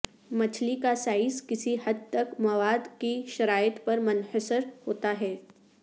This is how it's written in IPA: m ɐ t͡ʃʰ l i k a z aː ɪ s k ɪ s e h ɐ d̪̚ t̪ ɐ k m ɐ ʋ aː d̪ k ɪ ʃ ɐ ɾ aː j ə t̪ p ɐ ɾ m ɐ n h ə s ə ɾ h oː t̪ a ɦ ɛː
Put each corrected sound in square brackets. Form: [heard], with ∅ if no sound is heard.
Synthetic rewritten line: m ɐ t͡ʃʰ l i k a [s] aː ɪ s k ɪ s [i] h ɐ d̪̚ t̪ ɐ k m ɐ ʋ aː d̪ k [i] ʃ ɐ ɾ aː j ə t̪ p ɐ ɾ m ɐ n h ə s ə ɾ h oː t̪ a ɦ ɛː